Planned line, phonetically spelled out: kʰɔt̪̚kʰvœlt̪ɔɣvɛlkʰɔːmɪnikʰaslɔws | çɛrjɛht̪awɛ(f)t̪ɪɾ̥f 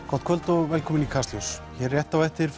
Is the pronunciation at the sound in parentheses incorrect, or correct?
incorrect